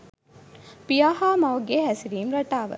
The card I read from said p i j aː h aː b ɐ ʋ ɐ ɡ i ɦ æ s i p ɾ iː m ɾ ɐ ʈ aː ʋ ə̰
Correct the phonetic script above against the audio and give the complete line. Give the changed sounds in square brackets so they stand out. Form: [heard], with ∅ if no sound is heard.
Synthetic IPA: p i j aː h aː [m] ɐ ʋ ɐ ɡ [e] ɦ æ s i [∅] ɾ iː m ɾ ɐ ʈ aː ʋ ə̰